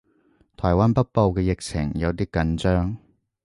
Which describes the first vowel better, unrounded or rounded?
rounded